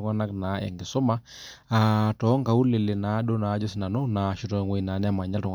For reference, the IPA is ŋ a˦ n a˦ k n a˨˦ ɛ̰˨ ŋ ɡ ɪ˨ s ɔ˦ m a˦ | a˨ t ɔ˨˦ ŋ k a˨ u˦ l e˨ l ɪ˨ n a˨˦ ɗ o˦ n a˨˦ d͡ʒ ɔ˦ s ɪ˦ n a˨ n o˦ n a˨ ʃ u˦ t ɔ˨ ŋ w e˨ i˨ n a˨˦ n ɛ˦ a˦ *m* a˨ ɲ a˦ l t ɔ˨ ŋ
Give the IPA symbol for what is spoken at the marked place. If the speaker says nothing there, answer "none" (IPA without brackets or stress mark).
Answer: m